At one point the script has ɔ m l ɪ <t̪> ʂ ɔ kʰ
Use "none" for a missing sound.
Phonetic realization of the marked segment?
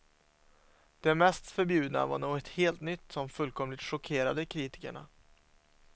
t̪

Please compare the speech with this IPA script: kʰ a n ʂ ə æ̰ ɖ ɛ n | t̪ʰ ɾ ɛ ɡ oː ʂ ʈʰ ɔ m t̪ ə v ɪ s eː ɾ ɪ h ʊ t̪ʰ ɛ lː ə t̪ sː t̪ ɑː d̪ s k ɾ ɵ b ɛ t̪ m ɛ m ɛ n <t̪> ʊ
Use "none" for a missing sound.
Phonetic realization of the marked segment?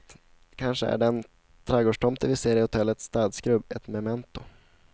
t̪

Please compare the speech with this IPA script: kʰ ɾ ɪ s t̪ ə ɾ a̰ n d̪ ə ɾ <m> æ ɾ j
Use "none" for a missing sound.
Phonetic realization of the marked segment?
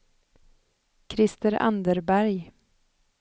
b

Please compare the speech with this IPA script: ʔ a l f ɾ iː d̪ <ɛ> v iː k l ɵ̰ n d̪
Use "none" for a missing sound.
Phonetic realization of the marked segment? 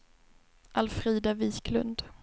a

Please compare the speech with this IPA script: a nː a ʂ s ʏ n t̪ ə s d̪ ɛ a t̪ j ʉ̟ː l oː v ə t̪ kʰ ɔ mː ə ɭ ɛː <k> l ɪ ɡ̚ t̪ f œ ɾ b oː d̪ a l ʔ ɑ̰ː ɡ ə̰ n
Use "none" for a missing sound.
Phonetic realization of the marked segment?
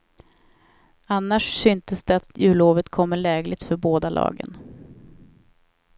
ɡ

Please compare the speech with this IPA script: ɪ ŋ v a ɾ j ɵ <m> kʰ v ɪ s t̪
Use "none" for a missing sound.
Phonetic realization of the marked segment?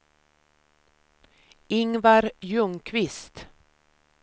ŋ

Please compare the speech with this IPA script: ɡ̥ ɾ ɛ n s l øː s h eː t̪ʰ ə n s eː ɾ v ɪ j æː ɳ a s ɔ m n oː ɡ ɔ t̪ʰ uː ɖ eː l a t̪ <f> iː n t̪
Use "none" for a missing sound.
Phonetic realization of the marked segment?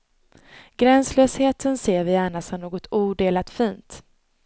f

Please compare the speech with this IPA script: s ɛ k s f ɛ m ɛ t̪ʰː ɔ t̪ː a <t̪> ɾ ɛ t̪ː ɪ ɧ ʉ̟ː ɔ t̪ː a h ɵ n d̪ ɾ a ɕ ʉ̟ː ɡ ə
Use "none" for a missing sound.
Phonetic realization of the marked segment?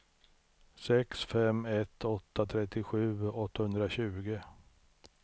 t̪ʰ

